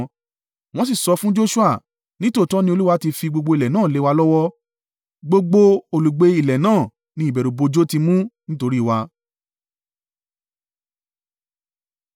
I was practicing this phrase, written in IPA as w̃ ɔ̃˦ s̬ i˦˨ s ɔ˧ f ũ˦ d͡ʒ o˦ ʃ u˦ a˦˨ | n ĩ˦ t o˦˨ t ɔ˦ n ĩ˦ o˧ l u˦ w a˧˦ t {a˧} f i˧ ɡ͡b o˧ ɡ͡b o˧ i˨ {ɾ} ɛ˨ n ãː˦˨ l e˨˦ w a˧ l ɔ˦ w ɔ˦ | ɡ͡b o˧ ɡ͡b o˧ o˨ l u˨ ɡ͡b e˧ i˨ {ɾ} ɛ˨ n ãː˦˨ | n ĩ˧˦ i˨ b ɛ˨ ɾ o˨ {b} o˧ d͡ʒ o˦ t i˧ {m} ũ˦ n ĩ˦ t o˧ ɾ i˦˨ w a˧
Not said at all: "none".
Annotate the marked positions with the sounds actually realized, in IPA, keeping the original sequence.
i˧, l, l, b, m

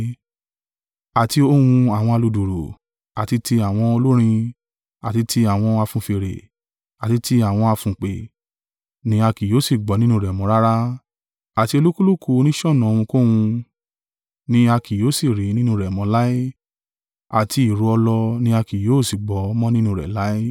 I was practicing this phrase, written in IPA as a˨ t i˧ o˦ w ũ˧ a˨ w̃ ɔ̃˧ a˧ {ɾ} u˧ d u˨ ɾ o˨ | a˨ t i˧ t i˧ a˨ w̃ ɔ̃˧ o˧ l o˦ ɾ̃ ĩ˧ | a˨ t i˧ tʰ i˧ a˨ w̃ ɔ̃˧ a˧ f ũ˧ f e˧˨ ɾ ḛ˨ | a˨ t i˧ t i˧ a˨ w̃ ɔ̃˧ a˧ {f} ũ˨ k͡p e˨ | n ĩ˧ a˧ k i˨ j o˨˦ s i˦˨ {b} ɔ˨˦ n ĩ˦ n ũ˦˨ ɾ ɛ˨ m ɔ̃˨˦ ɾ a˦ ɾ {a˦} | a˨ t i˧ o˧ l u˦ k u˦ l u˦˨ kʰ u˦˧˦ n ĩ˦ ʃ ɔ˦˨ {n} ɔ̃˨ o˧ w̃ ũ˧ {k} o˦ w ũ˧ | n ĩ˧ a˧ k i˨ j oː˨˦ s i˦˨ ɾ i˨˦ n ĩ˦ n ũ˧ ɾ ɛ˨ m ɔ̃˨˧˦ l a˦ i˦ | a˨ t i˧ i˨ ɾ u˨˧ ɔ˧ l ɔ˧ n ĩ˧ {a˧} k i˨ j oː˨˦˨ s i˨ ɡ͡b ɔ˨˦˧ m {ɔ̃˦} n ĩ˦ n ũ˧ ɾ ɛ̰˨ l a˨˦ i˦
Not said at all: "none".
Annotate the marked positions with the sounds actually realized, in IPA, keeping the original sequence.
l, f, ɡ͡b, a˦, n, k, a˧, ɔ̃˦

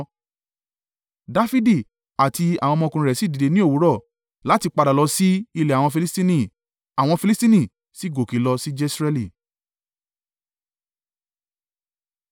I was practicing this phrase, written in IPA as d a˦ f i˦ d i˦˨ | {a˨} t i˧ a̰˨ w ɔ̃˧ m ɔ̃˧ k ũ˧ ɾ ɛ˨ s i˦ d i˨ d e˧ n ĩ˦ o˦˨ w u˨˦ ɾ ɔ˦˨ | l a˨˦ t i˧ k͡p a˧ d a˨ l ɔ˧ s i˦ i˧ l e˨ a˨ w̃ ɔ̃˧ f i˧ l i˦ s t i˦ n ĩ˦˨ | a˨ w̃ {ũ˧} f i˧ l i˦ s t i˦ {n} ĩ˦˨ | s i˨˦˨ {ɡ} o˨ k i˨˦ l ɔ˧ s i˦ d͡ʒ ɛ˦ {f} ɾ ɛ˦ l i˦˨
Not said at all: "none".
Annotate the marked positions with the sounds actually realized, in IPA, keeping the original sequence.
a˨, ɔ̃˧, n, ɡ, s

